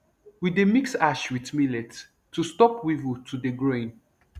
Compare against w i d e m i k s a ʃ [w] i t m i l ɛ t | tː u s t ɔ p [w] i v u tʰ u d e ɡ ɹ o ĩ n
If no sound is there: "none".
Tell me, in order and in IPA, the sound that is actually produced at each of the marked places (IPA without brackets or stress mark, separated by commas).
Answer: w, w